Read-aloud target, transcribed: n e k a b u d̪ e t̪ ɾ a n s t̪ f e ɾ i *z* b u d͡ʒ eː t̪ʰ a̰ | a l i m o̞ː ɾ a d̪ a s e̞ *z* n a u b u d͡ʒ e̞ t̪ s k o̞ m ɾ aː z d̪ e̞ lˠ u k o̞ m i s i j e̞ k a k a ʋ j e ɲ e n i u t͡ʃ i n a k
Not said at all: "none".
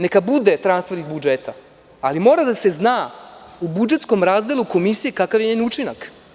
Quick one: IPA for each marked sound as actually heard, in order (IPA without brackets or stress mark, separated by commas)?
z, z